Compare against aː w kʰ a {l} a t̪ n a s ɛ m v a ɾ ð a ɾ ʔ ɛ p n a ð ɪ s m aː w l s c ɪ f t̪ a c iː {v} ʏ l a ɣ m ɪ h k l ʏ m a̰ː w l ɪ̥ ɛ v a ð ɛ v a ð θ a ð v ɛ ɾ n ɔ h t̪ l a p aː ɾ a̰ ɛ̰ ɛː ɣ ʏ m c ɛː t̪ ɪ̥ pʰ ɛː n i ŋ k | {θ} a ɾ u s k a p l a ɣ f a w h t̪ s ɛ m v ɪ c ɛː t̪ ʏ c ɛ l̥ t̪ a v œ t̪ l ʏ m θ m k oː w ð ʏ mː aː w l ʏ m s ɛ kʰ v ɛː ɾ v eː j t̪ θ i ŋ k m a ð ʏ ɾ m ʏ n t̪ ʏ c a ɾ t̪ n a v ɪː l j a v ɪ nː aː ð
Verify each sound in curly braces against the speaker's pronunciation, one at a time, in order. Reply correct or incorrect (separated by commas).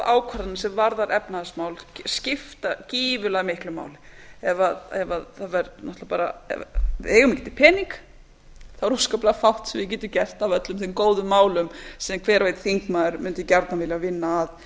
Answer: incorrect, correct, correct